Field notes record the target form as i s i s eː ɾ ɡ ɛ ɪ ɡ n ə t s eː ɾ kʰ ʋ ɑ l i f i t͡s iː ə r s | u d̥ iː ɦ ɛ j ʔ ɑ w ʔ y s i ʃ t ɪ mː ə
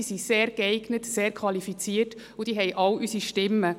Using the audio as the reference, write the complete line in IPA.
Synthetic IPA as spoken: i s i s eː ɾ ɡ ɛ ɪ ɡ n ə t s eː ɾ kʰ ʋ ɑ l i f i t͡s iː ə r t | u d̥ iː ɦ ɛ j ʔ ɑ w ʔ y s i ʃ t ɪ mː ə